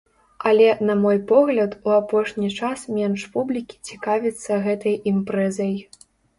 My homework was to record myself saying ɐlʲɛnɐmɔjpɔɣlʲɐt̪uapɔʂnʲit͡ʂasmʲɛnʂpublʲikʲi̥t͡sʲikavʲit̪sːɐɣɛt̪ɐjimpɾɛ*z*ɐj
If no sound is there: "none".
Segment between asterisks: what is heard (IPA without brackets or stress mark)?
z